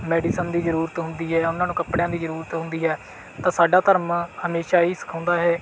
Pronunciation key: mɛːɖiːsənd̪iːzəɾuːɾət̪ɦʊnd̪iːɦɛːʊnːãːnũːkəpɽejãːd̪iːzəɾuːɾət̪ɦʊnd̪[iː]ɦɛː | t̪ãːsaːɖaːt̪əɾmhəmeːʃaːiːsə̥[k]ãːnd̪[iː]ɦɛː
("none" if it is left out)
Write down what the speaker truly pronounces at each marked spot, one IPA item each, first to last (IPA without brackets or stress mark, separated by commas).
iː, kʰ, aː